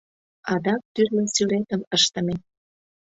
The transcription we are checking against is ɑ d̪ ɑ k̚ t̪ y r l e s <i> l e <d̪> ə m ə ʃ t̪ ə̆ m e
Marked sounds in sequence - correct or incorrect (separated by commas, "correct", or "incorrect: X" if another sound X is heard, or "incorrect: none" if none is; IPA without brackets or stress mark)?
incorrect: y, incorrect: t̪